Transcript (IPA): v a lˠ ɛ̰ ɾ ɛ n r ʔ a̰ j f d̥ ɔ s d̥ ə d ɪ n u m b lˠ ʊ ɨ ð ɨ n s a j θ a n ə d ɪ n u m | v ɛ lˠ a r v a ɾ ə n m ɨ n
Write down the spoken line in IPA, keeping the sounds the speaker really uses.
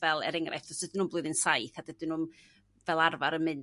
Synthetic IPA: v ɛ lˠ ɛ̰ ɾ ɛ ŋ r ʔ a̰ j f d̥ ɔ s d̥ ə d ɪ n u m b lˠ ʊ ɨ ð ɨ n s a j θ a d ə d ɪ n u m | v ɛ lˠ a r v a ɾ ə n m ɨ n